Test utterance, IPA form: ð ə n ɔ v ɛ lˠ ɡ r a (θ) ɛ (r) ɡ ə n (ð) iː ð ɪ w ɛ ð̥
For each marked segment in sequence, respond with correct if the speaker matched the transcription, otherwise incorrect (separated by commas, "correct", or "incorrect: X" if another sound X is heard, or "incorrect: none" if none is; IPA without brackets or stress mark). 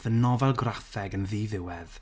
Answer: correct, incorrect: none, correct